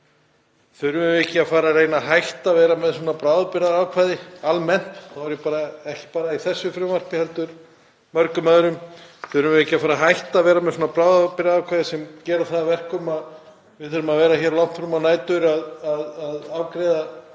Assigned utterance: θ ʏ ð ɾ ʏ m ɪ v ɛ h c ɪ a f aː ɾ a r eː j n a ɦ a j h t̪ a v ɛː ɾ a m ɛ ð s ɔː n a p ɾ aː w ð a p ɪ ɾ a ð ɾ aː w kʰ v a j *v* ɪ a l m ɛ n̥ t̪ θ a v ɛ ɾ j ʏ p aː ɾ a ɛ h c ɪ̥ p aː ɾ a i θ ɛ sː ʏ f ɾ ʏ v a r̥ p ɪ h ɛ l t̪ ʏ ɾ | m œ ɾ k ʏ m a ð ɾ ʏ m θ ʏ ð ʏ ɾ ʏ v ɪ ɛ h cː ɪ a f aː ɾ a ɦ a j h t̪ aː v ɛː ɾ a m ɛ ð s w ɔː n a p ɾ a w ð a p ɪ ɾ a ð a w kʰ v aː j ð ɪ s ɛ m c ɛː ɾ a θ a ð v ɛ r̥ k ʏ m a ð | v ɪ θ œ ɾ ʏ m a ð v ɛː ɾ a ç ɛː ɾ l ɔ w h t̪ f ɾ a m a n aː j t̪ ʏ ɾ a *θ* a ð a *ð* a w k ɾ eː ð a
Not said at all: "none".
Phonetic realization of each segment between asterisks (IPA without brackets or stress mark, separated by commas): ð, ð, ð